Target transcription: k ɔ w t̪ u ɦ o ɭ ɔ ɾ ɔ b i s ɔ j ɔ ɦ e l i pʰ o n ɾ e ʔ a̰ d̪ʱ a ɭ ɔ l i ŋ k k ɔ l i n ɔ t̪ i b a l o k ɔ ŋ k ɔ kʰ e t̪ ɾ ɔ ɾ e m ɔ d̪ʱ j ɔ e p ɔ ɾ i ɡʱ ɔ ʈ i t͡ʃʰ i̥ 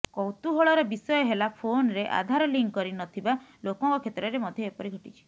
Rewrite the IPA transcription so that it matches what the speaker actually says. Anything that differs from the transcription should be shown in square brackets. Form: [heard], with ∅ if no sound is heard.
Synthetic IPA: k ɔ w t̪ u ɦ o ɭ ɔ ɾ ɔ b i s ɔ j ɔ ɦ e l [a] pʰ o n ɾ e ʔ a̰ d̪ʱ a [ɾ] ɔ l i ŋ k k ɔ [ɾ] i n ɔ [t̪ʰ] i b a l o k ɔ ŋ k ɔ kʰ e t̪ ɾ ɔ ɾ e m ɔ d̪ʱ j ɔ e p ɔ ɾ i ɡʱ ɔ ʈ i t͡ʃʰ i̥